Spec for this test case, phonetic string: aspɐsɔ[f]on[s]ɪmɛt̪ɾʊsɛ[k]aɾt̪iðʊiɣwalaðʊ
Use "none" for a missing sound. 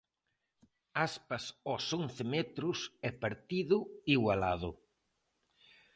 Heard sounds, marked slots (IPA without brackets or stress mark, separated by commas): s, θ, p